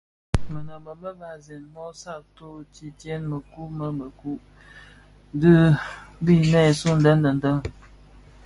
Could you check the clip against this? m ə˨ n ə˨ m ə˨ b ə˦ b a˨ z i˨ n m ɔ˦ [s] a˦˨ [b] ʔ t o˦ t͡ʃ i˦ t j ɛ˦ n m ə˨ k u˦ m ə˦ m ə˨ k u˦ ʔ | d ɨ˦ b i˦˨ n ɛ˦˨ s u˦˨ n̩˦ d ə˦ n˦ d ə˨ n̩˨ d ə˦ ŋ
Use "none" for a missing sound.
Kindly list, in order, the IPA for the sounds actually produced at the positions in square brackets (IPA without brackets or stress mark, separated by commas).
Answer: s, none